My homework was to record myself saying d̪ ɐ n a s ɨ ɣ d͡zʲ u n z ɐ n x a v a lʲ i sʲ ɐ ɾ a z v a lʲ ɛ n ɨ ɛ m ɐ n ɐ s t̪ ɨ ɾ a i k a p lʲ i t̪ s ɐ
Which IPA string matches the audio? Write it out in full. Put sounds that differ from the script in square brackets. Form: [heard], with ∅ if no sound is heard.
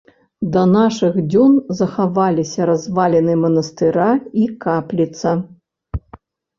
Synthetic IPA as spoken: d̪ ɐ n a [ʂ] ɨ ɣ d͡zʲ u n z ɐ [∅] x a v a lʲ i sʲ ɐ ɾ a z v a lʲ ɛ n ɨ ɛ m ɐ n ɐ s t̪ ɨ ɾ a i k a p lʲ i t̪ s ɐ